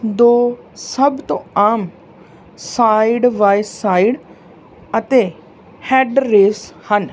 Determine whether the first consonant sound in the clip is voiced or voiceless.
voiced